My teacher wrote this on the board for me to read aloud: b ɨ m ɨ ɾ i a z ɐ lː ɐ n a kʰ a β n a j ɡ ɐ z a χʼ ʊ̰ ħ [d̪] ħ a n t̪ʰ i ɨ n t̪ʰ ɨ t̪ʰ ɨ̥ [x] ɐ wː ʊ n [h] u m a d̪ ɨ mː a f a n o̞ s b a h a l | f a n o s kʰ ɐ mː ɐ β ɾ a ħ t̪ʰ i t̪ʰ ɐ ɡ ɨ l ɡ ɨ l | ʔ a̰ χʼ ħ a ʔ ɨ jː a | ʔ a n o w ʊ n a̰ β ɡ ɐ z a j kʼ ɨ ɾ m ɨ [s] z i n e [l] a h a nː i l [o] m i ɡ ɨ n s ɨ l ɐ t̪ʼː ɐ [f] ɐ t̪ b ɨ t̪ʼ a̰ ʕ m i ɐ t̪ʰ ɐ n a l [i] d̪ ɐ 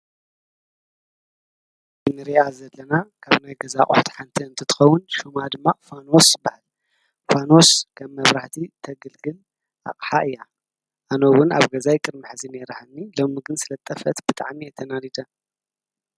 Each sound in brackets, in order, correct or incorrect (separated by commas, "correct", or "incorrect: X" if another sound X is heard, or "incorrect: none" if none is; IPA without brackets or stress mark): incorrect: t̪, correct, incorrect: ʃ, incorrect: ħ, incorrect: ɾ, correct, correct, correct